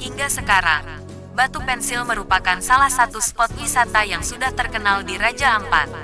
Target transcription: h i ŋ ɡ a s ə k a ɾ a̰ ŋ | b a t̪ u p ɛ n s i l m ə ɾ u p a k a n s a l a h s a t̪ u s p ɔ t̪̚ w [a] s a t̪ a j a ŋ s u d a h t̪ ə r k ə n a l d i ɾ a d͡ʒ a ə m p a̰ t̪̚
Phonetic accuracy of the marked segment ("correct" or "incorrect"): incorrect